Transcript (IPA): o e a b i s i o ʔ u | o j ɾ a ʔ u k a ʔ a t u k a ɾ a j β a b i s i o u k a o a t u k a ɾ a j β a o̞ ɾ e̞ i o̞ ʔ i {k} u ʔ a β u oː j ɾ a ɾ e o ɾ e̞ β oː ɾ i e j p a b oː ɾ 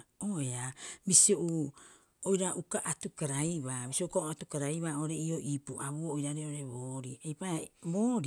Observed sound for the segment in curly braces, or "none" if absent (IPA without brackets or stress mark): p